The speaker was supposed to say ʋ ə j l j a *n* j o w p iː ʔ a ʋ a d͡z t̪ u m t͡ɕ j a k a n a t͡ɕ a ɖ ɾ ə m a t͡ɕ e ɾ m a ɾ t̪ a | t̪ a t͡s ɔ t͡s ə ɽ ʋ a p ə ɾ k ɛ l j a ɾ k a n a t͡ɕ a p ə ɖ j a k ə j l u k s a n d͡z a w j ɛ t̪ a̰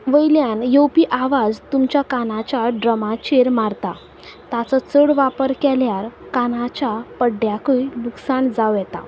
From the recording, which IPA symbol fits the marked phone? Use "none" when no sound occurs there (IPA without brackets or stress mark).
n